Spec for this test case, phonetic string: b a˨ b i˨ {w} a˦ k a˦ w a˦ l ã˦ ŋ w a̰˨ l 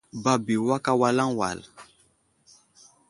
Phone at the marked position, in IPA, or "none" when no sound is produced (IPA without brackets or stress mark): w